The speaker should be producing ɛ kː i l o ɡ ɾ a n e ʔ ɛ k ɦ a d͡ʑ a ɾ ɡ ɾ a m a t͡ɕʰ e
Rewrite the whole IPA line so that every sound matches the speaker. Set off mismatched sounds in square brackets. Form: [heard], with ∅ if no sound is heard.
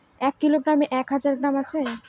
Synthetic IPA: ɛ kː i l o ɡ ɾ a [m] e ʔ ɛ k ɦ a d͡ʑ a ɾ ɡ ɾ a m a t͡ɕʰ e